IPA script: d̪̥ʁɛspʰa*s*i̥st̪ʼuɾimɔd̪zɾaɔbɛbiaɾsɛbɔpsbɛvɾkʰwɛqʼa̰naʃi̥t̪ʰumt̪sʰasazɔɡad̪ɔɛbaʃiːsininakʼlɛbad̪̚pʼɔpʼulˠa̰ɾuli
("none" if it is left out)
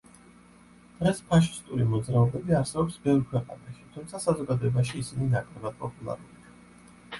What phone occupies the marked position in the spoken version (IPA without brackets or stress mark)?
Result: ʃ